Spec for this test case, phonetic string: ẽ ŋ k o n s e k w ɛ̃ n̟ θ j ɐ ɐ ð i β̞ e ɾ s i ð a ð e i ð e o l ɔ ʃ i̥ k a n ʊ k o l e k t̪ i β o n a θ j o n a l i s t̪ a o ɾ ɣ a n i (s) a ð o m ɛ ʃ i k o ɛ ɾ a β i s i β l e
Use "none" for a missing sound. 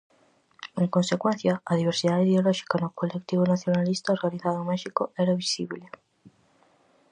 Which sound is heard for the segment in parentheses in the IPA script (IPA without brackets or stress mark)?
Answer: θ